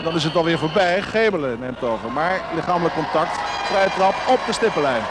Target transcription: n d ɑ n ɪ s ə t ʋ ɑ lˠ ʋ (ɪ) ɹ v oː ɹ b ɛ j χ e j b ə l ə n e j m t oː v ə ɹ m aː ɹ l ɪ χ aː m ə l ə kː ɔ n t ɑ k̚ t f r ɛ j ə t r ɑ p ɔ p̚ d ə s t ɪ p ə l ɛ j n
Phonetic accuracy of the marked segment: incorrect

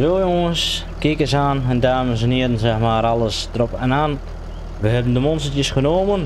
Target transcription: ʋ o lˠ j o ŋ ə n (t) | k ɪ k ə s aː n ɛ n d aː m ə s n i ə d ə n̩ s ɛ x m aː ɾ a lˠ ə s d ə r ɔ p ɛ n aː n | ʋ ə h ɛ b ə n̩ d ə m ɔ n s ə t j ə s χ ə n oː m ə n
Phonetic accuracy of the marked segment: incorrect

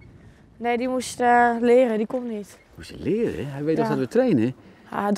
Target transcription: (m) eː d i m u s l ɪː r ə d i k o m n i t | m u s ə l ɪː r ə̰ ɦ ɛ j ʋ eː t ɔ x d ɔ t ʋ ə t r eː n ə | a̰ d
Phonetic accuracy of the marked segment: incorrect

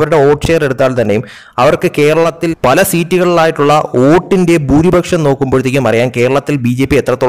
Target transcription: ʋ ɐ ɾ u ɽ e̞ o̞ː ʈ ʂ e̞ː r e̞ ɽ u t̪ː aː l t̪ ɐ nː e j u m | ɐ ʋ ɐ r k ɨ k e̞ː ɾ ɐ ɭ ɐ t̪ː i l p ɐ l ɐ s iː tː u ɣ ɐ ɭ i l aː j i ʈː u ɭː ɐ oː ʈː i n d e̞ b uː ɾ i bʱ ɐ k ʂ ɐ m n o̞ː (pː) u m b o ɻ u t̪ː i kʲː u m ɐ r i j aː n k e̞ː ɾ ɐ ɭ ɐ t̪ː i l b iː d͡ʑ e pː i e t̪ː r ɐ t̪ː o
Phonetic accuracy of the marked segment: incorrect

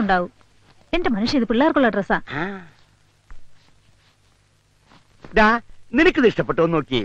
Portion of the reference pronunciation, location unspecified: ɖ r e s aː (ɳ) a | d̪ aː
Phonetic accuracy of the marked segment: incorrect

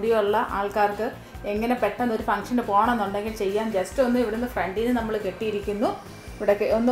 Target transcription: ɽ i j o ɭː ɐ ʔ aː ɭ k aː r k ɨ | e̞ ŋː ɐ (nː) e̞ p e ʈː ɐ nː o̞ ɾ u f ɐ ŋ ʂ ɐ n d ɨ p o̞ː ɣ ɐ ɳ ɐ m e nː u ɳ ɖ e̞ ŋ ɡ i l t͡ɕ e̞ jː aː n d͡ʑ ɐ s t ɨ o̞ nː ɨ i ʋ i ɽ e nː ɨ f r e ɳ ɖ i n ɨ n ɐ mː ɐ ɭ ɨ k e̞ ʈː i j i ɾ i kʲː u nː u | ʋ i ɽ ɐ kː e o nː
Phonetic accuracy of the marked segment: incorrect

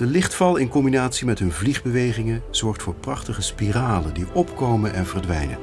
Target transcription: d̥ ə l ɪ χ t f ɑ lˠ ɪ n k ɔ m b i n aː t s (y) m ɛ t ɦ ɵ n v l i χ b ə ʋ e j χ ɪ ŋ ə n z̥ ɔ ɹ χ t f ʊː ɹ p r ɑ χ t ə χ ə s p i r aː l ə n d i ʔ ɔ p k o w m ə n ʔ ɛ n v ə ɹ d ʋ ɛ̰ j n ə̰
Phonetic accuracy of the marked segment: incorrect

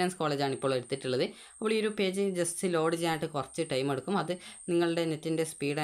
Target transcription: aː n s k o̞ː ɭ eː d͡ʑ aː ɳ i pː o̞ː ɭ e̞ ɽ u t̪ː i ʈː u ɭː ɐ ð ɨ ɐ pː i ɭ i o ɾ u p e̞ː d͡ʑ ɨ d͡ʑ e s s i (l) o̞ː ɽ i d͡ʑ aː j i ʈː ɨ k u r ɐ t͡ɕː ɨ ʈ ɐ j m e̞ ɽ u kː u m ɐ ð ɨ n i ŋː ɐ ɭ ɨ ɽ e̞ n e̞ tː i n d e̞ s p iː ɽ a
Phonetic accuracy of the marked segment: correct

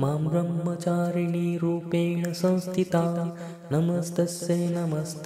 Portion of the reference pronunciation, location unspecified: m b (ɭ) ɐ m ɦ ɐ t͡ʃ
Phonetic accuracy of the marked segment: incorrect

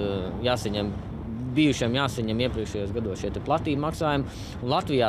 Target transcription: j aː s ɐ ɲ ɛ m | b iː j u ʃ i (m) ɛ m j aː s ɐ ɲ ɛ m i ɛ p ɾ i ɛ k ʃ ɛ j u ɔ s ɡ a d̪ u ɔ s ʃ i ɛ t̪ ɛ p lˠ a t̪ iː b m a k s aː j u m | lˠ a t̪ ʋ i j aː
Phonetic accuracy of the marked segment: incorrect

